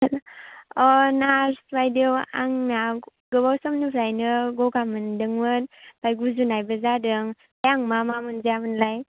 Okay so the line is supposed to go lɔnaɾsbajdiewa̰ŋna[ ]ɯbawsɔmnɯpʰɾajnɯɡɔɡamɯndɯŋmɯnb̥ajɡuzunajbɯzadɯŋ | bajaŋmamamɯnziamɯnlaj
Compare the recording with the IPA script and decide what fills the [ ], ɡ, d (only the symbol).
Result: ɡ